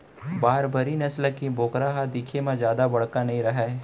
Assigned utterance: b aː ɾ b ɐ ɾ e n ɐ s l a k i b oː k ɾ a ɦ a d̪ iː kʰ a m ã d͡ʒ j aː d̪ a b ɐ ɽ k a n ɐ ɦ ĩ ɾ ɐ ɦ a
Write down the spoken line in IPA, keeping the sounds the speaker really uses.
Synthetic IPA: b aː ɾ b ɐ ɾ i n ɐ s l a k i b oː k ɾ a ɦ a d̪ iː kʰ e m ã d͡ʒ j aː d̪ a b ɐ ɽ k a n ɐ ɦ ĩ ɾ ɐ ɦ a